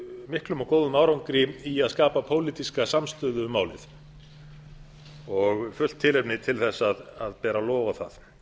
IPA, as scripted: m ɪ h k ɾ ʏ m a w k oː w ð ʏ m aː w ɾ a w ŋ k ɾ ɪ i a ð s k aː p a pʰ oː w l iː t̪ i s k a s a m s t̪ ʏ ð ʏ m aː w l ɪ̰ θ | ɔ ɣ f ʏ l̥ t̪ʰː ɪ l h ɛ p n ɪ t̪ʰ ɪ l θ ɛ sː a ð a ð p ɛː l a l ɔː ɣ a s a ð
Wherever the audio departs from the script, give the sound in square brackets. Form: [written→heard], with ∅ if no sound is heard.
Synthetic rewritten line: m ɪ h k [ɾ→l] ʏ m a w k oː w ð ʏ m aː w ɾ a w ŋ k ɾ ɪ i a ð s k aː p a pʰ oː w l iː t̪ i s k a s a m s t̪ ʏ ð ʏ m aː w l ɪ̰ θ | ɔ ɣ f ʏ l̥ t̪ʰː ɪ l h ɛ p n ɪ t̪ʰ ɪ l θ ɛ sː a ð a ð p ɛː [l→ɾ] a l ɔː [ɣ→v] a [s→θ] a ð